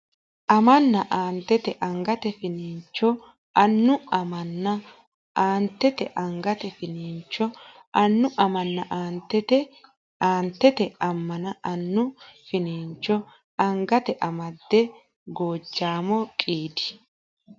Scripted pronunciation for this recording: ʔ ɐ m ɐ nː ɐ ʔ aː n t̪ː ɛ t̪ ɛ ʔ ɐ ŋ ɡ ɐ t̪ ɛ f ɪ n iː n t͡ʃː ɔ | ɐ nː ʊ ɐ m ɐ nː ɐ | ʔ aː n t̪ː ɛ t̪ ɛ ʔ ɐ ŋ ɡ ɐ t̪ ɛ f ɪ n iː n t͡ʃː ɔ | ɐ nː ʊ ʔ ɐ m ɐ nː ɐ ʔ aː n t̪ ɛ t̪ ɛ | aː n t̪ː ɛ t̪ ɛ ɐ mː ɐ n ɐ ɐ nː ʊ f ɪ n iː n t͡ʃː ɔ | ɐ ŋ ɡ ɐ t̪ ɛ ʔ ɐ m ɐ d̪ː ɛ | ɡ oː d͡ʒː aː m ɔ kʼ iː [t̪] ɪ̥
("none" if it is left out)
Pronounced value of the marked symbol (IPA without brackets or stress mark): d̪